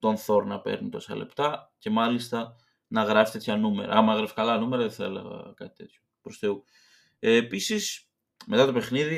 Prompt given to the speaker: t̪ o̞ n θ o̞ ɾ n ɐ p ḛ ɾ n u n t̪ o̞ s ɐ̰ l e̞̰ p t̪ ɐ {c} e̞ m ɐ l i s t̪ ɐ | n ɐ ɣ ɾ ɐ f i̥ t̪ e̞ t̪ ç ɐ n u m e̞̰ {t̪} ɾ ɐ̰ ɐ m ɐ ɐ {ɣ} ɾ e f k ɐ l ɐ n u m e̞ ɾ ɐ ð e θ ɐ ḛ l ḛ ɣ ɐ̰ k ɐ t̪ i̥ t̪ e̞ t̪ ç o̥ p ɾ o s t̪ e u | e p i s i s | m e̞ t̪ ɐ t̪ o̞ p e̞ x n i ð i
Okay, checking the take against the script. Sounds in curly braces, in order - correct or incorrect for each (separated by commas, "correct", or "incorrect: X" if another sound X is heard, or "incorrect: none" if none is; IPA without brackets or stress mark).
correct, incorrect: none, correct